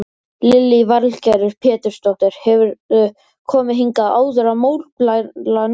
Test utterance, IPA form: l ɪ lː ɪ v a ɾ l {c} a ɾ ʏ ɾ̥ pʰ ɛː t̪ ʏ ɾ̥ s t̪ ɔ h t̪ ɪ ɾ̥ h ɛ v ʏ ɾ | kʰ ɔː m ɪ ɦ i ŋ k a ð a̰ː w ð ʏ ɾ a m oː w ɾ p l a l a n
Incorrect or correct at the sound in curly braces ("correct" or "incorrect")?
correct